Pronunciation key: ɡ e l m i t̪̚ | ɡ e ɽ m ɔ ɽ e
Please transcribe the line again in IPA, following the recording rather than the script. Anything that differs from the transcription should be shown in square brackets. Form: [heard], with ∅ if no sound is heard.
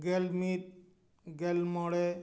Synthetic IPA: ɡ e l m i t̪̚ | ɡ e [l] m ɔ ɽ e